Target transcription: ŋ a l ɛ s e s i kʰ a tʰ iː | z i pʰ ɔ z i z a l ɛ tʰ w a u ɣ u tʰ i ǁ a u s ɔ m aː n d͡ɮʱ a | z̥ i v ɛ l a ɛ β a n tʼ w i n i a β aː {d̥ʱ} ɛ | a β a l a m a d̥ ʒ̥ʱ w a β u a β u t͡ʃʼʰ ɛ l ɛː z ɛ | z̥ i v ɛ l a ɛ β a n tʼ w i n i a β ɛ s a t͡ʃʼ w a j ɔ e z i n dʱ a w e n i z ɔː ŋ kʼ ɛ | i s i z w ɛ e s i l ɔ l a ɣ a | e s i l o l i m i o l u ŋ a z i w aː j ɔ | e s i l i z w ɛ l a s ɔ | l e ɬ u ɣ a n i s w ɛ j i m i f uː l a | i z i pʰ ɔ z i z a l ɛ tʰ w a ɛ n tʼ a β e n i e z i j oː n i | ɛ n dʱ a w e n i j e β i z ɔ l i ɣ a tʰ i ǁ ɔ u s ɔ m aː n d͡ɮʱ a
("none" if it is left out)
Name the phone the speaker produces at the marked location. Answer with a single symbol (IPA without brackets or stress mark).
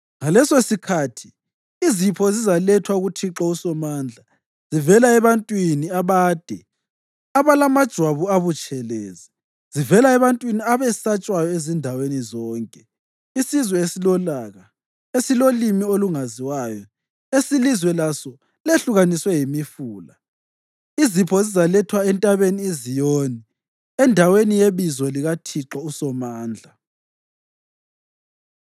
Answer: d̥ʱ